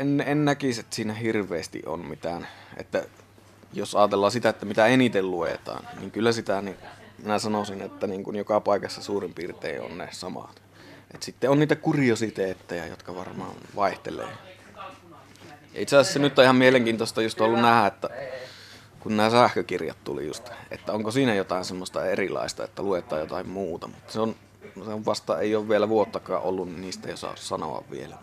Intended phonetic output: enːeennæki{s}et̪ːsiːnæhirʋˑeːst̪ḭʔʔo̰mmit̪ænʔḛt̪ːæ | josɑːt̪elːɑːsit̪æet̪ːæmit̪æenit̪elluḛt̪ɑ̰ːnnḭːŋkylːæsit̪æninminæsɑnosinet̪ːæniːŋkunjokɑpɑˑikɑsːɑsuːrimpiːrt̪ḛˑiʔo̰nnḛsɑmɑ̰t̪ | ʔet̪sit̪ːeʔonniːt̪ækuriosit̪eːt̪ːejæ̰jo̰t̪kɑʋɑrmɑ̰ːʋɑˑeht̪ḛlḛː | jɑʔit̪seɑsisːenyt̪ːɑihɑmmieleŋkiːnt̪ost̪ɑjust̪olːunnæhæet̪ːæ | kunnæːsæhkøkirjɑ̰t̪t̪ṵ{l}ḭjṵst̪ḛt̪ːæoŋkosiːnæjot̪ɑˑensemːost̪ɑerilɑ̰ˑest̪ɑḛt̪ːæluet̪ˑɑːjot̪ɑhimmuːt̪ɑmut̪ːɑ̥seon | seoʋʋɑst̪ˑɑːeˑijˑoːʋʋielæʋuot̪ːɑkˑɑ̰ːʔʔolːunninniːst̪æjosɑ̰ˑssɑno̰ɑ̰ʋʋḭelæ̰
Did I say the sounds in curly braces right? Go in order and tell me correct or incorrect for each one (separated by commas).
correct, correct